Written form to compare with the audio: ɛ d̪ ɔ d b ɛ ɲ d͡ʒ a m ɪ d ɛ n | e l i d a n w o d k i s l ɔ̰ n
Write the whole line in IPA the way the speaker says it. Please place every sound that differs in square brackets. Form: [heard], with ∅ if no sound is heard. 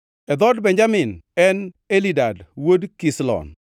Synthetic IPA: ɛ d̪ ɔ d b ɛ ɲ d͡ʒ a m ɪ [n] ɛ n | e l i d a [d] w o d k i s l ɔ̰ n

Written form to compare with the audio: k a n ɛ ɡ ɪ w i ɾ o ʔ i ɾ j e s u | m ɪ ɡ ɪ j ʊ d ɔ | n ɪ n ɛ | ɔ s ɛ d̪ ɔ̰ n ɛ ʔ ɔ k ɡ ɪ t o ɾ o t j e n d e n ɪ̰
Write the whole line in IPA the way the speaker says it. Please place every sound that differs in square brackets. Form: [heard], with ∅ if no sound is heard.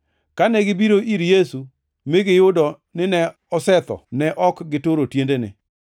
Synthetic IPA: k a n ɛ ɡ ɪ [b] i ɾ o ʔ i ɾ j e s u | m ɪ ɡ ɪ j ʊ d ɔ | n ɪ n ɛ | ɔ s ɛ [t̪] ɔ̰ n ɛ ʔ ɔ k ɡ ɪ t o ɾ o t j e n d e n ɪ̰

